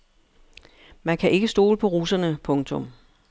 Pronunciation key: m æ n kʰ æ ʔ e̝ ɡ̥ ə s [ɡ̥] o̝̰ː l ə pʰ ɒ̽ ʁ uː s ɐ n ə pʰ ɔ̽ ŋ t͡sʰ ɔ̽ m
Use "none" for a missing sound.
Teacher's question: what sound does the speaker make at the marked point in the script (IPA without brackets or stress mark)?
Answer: d̥